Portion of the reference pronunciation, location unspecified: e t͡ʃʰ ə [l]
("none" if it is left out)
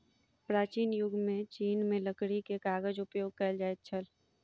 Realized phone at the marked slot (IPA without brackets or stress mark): l